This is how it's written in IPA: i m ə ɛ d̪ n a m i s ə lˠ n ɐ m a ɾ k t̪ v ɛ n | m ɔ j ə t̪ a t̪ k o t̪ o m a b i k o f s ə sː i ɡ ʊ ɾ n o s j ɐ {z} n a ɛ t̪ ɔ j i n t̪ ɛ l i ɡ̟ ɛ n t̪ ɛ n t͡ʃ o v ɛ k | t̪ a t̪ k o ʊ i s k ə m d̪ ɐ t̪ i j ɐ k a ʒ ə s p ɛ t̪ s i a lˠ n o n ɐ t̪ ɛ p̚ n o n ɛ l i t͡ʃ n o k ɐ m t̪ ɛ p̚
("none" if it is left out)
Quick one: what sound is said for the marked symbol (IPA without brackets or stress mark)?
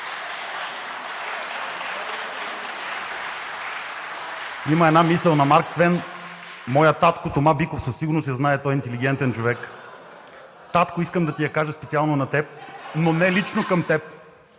z